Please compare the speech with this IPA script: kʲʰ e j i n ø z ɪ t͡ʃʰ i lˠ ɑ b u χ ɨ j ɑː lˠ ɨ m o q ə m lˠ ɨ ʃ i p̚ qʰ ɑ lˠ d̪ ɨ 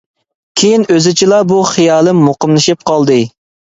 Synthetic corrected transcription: kʲʰ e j i n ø z ɪ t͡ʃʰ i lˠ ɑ b u χ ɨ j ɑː lˠ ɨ m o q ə m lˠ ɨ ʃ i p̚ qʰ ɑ lˠ d̪ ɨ